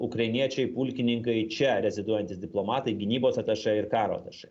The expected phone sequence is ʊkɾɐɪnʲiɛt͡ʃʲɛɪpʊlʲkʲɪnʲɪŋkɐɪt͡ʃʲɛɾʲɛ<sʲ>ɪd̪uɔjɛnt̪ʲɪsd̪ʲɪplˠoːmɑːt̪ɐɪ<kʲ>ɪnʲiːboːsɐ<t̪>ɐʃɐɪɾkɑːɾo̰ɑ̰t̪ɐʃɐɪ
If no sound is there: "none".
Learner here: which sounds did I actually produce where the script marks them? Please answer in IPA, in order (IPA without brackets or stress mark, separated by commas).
zʲ, ɡʲ, t̪